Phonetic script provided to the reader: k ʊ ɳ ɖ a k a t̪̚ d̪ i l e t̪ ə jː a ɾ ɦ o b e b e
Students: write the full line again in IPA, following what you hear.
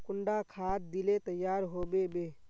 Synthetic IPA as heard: k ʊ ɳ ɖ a kʰ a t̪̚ d̪ i l e t̪ ə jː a ɾ ɦ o b e b e